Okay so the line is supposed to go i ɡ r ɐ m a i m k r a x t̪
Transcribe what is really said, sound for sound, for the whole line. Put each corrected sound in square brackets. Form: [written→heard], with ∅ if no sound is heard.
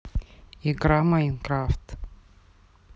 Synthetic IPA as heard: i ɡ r [ɐ→a] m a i [m→n] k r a [x→f] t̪